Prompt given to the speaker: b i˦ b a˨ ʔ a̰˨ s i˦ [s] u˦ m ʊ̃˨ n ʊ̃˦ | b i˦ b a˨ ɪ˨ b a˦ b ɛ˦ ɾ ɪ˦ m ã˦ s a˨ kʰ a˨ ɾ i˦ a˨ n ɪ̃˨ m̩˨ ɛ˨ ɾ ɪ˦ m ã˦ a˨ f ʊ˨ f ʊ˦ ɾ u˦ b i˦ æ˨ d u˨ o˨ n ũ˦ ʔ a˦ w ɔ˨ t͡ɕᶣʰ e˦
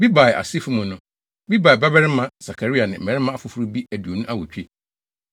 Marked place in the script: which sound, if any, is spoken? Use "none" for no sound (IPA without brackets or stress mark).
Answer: f